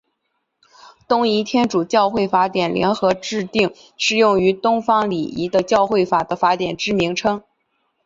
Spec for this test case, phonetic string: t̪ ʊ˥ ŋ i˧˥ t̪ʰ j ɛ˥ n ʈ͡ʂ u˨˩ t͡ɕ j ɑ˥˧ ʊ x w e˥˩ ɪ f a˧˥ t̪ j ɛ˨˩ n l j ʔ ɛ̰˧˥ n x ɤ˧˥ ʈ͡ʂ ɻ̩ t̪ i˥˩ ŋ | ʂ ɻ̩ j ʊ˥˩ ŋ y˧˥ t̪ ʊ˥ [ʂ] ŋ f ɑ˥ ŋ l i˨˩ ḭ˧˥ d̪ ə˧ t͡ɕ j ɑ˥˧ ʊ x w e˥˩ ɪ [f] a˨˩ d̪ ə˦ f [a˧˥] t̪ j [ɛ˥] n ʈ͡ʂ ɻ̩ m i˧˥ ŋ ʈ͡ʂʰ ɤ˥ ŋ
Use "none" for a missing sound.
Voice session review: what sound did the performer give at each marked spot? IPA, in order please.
none, f, a˧˥, ɛ˨˩

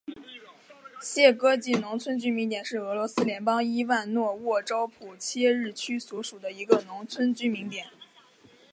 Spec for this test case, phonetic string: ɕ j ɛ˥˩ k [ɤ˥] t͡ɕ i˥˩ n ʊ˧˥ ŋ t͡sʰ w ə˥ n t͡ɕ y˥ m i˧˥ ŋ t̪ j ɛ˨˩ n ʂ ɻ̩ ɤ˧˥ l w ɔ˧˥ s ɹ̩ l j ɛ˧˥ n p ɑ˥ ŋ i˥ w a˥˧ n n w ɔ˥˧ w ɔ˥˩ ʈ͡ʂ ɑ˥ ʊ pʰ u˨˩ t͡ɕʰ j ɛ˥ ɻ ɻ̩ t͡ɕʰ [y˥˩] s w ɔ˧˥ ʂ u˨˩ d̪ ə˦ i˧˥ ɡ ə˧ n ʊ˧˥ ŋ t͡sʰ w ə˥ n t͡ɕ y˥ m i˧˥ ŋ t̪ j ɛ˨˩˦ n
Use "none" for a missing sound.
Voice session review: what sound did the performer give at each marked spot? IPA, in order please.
ɤ˥, y˥

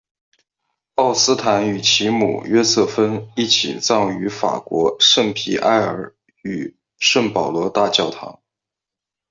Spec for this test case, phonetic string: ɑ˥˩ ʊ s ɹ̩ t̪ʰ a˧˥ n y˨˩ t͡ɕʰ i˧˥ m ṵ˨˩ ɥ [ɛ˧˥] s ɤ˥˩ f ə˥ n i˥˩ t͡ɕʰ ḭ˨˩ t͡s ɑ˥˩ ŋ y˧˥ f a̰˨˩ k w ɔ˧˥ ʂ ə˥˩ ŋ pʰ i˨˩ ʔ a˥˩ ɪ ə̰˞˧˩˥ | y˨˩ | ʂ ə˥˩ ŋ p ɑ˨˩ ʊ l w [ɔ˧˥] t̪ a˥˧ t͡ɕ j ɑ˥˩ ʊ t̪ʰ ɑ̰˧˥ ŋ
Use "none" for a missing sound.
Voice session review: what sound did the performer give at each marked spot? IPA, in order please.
ɛ˥, ɔ˧˥

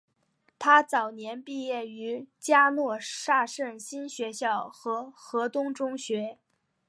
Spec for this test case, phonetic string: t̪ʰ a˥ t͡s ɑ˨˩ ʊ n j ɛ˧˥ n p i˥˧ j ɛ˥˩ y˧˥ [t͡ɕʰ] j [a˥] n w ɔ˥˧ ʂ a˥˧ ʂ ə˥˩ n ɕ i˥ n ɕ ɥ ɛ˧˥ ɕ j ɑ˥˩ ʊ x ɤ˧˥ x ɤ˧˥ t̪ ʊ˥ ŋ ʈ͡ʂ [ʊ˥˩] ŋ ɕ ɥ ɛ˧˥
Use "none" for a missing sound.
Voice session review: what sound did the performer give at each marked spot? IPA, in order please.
t͡ɕ, a˥, ʊ˥

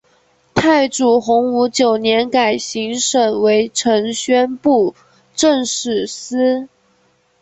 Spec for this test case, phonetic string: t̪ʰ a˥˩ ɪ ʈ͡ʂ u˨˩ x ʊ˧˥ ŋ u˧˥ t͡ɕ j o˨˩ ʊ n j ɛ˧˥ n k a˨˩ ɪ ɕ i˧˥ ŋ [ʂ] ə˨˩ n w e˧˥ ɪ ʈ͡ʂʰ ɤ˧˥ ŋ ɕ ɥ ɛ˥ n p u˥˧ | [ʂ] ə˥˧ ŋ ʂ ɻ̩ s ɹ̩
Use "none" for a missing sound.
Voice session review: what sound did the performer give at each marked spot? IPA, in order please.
ʂ, ʈ͡ʂ

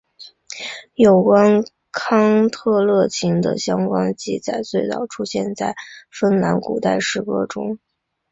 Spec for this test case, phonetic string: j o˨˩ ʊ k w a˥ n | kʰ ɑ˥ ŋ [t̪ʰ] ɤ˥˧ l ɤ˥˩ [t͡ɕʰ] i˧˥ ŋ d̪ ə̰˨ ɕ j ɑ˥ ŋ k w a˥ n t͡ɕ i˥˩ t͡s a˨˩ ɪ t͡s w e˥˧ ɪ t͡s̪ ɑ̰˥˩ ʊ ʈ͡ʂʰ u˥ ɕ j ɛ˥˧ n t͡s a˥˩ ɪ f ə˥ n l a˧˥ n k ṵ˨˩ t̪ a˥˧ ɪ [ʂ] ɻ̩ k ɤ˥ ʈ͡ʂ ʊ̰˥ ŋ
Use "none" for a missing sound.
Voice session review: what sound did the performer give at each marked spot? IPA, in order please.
t̪ʰ, t͡ɕʰ, ʂ

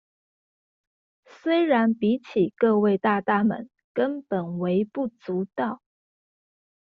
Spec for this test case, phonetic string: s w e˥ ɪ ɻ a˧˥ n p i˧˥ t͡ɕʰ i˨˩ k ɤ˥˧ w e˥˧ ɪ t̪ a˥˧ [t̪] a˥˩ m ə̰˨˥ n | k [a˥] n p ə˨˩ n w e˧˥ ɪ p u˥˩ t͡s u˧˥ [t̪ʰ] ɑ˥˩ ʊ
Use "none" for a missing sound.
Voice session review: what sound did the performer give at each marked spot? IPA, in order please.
t̪, ə˥, t̪

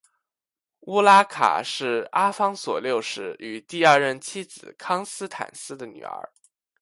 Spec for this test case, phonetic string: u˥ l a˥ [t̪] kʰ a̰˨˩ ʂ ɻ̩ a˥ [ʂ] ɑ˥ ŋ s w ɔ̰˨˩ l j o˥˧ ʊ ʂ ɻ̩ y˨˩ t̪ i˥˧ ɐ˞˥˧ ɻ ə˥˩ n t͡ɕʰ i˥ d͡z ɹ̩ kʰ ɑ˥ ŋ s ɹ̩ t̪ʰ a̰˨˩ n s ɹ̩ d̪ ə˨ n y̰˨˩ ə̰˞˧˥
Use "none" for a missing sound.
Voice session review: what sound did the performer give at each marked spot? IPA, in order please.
none, f

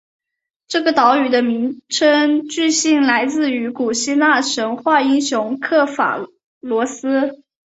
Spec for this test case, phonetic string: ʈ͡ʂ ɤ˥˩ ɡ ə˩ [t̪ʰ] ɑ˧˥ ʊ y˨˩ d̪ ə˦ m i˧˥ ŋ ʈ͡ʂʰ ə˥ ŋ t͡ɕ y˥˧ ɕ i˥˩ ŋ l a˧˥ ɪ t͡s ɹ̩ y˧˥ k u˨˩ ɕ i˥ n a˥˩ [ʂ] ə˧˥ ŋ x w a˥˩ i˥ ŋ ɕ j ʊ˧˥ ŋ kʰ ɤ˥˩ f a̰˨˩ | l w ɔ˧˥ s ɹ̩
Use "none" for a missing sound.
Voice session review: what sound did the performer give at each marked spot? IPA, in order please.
t̪, ʂ

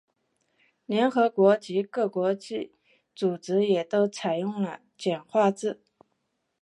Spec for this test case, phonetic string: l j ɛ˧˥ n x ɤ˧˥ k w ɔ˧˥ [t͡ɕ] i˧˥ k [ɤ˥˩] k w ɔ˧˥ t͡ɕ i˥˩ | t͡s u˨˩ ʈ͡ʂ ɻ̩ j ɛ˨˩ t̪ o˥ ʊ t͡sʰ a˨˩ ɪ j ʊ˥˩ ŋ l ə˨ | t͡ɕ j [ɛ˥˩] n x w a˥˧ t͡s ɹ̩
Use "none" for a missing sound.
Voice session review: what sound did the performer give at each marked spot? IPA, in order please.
t͡ɕ, ɤ˥˩, ɛ˨˩

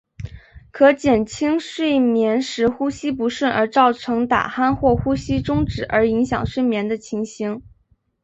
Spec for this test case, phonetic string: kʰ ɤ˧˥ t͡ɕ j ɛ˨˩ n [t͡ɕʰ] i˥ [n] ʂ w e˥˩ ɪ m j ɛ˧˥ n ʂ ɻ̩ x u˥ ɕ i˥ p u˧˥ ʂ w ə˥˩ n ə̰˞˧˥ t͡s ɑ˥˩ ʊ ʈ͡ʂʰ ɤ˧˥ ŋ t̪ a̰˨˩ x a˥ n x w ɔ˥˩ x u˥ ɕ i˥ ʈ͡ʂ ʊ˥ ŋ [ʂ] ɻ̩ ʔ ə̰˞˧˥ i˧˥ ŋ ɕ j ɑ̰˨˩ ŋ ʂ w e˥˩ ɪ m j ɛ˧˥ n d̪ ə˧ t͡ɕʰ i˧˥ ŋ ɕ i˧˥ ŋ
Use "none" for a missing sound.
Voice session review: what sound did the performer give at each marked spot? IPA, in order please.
t͡ɕʰ, ŋ, ʈ͡ʂ

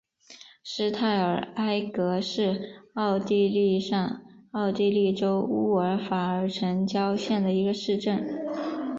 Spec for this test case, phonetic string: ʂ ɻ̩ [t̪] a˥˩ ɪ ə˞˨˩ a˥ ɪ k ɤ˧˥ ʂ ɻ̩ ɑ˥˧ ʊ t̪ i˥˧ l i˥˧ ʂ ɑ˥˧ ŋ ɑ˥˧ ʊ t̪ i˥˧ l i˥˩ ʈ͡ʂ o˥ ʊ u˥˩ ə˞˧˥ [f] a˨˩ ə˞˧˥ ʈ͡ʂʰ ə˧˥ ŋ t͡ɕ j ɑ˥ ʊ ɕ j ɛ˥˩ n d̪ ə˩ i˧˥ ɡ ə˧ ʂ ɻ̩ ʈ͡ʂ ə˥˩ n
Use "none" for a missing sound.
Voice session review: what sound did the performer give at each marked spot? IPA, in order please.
t̪ʰ, f

